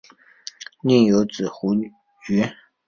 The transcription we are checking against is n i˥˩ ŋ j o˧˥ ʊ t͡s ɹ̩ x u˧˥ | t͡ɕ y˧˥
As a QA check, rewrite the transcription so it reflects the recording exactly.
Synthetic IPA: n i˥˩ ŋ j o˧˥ ʊ t͡s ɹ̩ x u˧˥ | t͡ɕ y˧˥